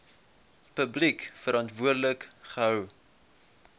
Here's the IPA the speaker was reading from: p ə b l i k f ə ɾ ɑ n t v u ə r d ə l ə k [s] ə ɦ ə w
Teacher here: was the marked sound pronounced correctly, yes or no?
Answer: no